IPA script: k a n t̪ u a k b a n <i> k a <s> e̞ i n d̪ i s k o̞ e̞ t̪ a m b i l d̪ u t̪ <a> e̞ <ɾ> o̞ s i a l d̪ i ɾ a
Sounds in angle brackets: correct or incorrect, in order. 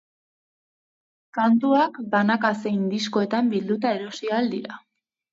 incorrect, correct, correct, correct

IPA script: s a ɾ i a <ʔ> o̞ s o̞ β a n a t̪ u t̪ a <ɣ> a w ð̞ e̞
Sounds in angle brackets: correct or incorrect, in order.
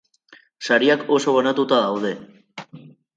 incorrect, incorrect

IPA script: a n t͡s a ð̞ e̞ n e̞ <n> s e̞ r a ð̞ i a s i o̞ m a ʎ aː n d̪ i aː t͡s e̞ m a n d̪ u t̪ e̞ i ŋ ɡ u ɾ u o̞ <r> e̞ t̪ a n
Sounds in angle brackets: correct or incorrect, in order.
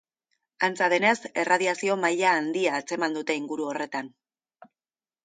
incorrect, correct

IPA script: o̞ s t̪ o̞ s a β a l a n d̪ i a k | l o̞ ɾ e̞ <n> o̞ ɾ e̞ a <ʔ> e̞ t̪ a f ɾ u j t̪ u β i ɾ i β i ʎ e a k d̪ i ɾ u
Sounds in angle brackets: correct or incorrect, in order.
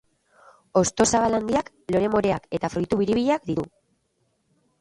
incorrect, incorrect

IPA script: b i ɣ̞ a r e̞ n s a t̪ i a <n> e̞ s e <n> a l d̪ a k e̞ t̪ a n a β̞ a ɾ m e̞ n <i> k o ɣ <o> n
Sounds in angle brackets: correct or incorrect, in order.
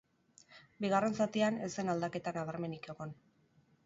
correct, correct, correct, correct

